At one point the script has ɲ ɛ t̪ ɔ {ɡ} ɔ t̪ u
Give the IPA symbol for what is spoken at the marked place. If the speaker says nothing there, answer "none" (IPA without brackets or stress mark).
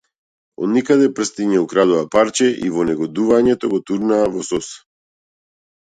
ɡ